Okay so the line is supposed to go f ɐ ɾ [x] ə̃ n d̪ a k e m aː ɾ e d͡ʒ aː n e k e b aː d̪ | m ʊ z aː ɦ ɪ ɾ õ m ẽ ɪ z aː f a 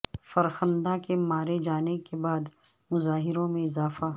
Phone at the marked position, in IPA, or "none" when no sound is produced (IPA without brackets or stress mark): x